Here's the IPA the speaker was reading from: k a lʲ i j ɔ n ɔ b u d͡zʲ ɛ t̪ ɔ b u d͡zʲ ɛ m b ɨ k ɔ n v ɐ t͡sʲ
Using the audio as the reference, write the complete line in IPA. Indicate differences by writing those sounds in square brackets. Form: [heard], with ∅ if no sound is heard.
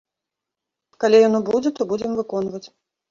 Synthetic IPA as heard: k a lʲ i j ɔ n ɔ b u d͡zʲ ɛ t̪ ɔ b u d͡zʲ ɛ m [v] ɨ k ɔ n v ɐ t͡sʲ